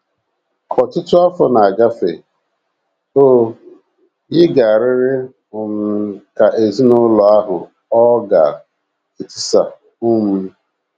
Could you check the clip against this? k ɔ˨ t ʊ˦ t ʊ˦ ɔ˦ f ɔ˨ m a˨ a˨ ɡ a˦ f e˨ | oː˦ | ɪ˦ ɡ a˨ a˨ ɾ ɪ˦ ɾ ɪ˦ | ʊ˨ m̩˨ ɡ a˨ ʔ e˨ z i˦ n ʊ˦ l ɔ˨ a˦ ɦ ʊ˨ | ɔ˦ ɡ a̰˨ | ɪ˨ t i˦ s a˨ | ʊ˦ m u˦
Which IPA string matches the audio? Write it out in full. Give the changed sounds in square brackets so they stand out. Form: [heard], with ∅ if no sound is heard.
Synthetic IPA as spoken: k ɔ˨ t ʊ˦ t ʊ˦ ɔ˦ f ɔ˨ [n] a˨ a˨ ɡ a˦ f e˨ | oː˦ | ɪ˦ ɡ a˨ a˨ ɾ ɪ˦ ɾ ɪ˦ | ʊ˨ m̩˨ [k] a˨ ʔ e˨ z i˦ n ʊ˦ l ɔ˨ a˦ ɦ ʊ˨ | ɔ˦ ɡ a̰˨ | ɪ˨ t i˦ s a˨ | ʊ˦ m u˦